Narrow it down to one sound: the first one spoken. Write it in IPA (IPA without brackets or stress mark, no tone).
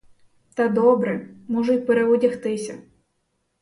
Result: t̪